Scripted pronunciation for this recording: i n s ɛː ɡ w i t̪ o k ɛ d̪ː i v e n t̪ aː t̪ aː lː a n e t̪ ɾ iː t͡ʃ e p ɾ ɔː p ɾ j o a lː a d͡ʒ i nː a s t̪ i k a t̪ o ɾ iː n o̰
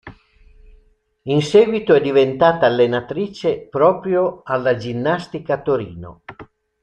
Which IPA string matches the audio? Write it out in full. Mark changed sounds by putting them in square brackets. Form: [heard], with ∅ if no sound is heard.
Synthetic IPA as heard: i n s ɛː ɡ w i t̪ o [∅] ɛ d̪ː i v e n t̪ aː t̪ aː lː [e] n [a] t̪ ɾ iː t͡ʃ e p ɾ ɔː p ɾ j o a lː a d͡ʒ i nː a s t̪ i k a t̪ o ɾ iː n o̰